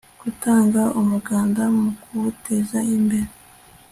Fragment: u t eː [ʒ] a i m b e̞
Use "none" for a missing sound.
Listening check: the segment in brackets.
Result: z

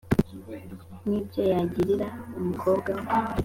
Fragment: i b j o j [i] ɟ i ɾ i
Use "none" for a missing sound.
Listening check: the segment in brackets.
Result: a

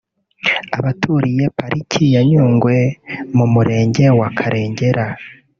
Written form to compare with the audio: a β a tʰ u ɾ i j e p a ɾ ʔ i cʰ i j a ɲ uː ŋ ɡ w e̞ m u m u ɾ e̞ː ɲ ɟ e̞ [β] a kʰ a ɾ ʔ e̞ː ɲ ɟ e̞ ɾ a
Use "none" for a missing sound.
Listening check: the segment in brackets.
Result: w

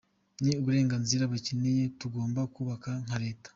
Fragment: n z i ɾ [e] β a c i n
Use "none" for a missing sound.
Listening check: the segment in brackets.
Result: a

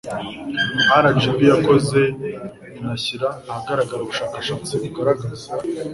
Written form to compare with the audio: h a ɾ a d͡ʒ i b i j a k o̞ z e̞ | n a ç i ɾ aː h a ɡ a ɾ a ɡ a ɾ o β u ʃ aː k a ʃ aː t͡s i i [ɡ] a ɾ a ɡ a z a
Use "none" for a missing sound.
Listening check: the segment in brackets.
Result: ɡ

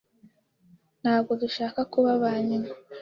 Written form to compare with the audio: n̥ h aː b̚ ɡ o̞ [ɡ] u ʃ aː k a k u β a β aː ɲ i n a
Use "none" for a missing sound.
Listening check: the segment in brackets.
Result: d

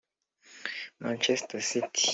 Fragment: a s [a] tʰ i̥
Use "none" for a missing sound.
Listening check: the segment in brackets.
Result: i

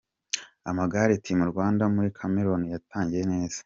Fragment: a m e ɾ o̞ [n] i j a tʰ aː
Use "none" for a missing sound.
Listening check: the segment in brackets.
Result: n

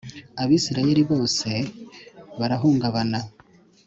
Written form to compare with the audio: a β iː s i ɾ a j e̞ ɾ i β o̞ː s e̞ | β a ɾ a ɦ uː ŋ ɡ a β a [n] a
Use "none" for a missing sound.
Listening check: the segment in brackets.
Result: n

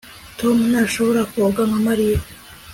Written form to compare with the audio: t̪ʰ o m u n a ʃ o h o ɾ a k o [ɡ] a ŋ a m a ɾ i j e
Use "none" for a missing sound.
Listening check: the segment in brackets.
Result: ɡ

